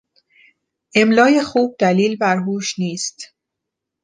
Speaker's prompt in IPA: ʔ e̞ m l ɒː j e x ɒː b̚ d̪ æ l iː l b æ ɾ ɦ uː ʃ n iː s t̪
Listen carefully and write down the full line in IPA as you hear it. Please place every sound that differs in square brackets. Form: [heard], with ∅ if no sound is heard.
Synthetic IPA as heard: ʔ e̞ m l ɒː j e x [uː] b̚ d̪ æ l iː l b æ ɾ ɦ uː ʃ n iː s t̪